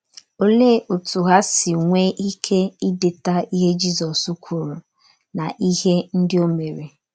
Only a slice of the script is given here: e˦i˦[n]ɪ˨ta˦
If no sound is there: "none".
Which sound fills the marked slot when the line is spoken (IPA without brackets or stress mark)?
d